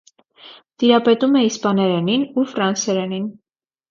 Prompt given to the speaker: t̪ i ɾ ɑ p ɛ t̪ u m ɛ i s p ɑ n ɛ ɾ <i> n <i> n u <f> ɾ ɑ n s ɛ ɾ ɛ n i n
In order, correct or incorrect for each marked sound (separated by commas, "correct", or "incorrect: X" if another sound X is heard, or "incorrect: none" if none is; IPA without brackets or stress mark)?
incorrect: ɛ, correct, correct